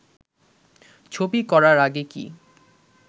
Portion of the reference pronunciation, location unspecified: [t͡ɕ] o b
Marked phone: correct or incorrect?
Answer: incorrect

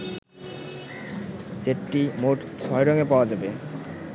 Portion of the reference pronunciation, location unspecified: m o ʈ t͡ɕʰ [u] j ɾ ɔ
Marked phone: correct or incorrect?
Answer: incorrect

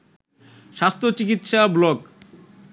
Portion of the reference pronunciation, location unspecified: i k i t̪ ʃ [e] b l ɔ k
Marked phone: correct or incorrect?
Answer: incorrect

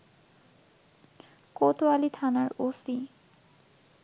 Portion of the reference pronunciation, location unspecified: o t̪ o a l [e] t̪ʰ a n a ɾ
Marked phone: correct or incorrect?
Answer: incorrect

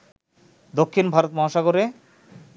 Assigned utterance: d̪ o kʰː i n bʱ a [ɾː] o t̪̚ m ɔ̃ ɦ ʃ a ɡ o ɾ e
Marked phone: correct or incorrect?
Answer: incorrect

